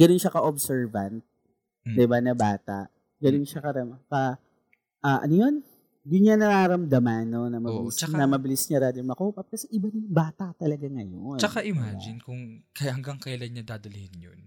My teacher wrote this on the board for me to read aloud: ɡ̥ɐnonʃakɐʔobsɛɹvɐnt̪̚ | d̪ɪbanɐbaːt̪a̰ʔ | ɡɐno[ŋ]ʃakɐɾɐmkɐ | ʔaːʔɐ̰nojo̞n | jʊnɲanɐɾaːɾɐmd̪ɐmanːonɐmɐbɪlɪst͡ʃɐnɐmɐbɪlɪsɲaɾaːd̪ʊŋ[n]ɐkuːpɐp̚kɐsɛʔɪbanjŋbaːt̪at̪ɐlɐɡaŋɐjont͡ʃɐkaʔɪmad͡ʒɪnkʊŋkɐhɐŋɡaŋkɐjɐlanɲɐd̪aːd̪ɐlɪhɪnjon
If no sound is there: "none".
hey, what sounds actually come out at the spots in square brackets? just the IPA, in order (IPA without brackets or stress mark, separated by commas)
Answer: n, m